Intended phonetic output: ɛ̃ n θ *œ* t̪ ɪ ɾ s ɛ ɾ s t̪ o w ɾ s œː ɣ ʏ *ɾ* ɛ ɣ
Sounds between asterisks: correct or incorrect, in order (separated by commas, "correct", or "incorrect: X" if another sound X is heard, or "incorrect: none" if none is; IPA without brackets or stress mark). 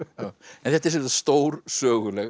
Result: incorrect: ɛ, incorrect: l